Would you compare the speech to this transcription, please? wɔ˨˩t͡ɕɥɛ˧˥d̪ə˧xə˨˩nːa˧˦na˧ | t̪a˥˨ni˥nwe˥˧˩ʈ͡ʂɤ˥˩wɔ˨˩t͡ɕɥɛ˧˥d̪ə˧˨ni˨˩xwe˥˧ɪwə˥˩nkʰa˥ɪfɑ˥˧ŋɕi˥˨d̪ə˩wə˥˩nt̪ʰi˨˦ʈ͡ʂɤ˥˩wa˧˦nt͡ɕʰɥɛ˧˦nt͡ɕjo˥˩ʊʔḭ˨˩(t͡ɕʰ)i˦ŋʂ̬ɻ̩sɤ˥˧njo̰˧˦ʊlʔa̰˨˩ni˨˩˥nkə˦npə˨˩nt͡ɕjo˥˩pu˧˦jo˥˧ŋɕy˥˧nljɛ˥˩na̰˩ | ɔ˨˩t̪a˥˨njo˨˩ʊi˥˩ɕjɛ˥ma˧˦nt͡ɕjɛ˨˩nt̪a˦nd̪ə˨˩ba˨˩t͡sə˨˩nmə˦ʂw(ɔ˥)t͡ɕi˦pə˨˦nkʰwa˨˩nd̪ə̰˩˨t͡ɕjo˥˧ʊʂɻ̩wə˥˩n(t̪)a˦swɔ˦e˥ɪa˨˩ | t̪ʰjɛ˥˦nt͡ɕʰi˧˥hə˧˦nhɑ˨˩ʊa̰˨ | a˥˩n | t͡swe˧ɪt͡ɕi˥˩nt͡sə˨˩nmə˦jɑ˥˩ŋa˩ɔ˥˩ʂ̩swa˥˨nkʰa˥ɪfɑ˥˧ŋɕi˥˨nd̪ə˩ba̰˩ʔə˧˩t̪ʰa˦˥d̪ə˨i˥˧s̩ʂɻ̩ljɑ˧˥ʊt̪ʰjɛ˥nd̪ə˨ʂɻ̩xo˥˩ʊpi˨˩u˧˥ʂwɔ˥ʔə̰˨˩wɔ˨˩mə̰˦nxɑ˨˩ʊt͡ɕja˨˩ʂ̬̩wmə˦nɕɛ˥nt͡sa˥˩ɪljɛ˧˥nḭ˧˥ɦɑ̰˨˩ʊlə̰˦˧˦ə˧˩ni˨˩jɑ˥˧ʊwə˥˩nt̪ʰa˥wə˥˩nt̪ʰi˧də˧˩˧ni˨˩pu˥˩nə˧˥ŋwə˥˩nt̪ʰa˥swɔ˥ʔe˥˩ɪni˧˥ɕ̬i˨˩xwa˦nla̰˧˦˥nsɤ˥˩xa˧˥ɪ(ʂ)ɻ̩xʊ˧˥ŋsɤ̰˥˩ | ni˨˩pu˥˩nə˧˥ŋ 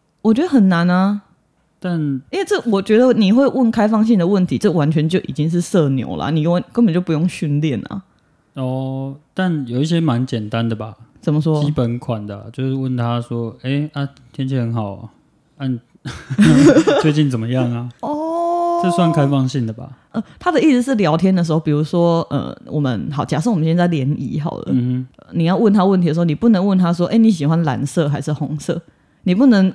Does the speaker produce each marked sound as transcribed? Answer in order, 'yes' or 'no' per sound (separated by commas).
no, yes, no, yes